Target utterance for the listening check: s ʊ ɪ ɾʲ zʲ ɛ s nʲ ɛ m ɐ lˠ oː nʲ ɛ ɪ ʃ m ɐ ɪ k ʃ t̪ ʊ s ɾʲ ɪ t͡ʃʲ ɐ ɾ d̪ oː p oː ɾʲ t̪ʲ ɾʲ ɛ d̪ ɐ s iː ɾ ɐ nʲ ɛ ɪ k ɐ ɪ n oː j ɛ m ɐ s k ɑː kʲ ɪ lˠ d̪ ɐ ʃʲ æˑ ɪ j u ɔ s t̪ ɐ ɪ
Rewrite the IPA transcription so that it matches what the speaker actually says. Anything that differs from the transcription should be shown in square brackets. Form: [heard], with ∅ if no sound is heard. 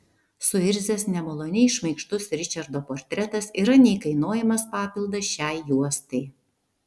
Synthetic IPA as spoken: s ʊ ɪ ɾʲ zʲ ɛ s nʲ ɛ m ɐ lˠ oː nʲ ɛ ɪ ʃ m ɐ ɪ k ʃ t̪ ʊ s ɾʲ ɪ t͡ʃʲ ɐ ɾ d̪ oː p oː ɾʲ t̪ʲ ɾʲ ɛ [t̪] ɐ s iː ɾ ɐ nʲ ɛ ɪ k ɐ ɪ n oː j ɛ m ɐ s [p] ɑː [pʲ] ɪ lˠ d̪ ɐ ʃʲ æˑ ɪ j u ɔ s t̪ ɐ ɪ